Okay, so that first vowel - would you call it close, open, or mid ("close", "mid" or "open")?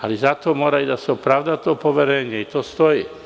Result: open